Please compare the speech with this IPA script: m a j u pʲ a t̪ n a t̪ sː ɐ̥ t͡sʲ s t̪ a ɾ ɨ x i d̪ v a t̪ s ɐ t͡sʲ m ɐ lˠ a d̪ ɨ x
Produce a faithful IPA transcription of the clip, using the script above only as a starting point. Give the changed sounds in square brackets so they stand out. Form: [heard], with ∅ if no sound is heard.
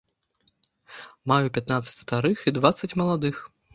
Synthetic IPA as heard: m a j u pʲ a t̪ n a t̪ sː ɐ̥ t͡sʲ s t̪ a ɾ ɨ x i d̪ v a t̪ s ɐ t͡sʲ m ɐ lˠ a d̪ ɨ x